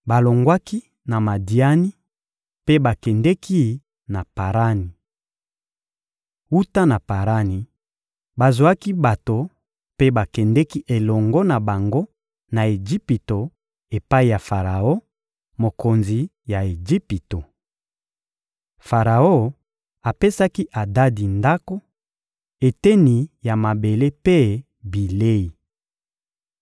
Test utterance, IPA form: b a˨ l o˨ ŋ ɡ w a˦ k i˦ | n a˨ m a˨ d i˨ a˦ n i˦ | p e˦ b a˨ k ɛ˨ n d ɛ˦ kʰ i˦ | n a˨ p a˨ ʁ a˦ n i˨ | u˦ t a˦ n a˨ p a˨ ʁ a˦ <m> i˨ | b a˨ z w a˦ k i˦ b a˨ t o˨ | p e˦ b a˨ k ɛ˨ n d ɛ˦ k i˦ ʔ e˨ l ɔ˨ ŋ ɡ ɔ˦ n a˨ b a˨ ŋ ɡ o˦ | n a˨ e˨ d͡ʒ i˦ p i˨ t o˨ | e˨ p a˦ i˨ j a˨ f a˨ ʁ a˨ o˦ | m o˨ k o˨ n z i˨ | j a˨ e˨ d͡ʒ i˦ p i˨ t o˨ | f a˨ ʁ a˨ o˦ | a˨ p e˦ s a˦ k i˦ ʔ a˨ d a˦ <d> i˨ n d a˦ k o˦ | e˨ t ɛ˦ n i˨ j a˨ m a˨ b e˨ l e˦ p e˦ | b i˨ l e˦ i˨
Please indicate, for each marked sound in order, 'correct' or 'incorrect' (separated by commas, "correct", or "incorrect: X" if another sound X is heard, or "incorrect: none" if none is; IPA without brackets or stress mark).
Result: incorrect: n, correct